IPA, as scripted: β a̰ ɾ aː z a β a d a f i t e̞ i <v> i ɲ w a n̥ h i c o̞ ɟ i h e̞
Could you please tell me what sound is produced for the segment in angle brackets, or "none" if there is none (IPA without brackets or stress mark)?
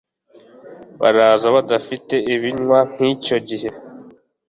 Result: β